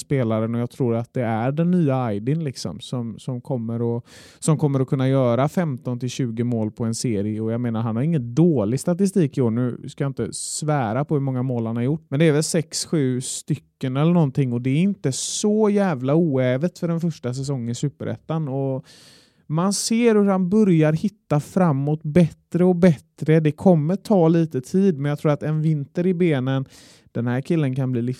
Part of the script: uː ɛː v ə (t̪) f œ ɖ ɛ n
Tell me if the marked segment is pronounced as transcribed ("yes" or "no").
yes